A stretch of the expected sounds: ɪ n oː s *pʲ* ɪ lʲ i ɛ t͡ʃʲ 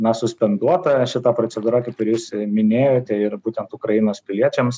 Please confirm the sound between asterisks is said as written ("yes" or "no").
yes